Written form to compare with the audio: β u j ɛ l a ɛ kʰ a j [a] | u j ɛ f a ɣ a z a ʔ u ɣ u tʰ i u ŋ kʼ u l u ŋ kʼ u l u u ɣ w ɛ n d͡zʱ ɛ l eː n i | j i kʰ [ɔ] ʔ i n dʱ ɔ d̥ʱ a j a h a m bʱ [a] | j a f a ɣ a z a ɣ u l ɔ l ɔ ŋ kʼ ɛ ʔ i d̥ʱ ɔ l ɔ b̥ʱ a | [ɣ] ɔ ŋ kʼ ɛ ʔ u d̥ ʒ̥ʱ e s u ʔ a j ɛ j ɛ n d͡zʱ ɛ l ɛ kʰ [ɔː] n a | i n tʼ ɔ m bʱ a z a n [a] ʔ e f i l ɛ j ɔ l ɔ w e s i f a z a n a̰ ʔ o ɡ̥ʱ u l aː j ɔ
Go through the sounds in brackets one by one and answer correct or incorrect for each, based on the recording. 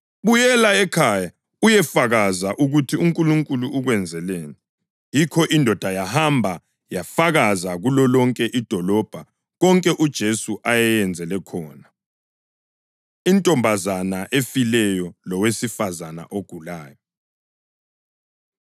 correct, correct, correct, correct, correct, correct

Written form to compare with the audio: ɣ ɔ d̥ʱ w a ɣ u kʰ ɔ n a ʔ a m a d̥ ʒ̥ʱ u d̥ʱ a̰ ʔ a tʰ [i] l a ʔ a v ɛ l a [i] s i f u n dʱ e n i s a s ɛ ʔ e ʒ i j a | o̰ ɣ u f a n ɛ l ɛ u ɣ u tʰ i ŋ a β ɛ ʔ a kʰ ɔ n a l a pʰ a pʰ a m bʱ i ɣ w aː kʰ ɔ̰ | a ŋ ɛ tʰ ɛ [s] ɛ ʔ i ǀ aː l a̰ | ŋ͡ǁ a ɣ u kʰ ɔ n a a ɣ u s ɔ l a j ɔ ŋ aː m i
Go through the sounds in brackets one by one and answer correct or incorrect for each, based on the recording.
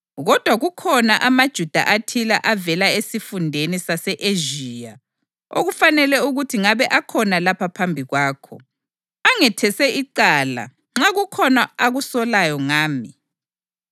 correct, incorrect: e, correct

